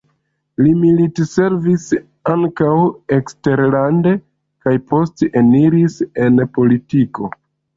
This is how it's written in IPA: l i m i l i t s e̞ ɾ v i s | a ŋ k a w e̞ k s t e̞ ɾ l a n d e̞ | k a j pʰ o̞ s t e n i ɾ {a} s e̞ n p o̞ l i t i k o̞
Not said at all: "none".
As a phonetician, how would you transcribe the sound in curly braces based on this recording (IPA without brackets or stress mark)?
i